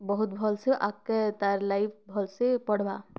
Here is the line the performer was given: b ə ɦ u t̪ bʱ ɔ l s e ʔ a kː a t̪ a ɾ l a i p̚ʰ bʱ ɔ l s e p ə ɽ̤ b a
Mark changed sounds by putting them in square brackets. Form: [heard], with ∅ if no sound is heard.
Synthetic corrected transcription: b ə ɦ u t̪ bʱ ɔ l s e ʔ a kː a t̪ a ɾ l a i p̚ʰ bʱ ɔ l s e p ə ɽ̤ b a